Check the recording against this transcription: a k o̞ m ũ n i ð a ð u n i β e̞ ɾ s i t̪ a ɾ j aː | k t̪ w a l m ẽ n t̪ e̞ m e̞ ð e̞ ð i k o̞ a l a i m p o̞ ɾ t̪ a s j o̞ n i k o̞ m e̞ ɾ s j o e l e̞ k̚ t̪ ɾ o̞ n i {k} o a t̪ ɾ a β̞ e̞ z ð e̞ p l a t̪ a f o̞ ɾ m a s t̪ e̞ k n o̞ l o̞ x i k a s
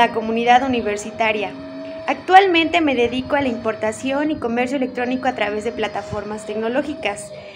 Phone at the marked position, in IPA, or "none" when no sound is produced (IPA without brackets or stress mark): k